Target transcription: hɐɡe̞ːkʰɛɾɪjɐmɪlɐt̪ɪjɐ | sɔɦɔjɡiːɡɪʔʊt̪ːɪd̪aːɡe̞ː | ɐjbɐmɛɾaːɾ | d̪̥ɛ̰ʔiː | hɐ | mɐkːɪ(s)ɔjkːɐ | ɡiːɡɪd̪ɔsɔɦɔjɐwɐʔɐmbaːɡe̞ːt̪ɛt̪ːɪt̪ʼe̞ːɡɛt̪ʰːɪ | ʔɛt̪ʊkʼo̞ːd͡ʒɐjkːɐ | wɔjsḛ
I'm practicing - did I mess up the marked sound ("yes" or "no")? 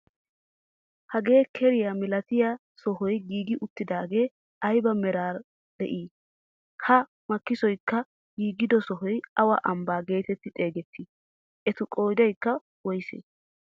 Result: no